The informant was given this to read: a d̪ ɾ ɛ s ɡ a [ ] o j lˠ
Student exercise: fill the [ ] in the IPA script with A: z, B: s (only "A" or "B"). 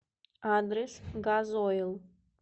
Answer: A